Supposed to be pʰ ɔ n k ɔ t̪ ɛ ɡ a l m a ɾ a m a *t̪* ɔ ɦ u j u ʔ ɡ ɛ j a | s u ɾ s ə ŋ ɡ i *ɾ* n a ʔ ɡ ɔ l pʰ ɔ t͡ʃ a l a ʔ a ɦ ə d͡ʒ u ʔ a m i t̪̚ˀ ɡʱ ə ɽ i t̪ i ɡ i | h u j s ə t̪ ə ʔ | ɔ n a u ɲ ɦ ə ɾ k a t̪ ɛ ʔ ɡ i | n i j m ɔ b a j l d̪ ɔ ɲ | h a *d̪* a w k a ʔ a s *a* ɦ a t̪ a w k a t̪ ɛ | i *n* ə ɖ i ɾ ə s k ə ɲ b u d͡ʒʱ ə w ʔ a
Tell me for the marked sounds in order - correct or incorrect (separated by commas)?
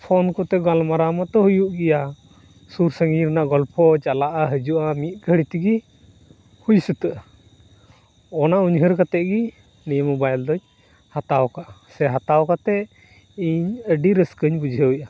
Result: correct, correct, incorrect, incorrect, incorrect